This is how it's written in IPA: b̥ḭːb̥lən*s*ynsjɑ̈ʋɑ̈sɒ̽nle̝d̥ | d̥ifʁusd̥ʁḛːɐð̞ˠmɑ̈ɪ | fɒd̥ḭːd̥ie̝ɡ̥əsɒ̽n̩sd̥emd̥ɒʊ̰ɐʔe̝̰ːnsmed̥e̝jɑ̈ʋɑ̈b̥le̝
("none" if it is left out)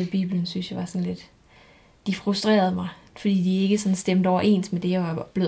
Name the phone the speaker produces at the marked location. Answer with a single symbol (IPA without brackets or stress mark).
s